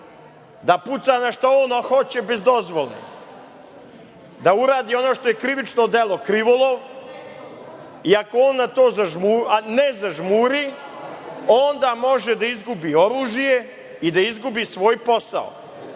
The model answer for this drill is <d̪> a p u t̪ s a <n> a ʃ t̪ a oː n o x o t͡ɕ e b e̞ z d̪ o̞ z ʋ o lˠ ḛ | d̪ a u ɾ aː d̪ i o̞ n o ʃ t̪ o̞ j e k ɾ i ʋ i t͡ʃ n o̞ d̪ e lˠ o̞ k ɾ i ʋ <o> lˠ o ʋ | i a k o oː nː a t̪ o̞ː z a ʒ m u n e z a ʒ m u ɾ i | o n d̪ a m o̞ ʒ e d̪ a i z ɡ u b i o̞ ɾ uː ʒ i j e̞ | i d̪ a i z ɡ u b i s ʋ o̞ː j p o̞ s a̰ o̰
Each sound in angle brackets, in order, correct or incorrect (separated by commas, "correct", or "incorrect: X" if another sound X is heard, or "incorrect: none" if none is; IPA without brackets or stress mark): correct, correct, correct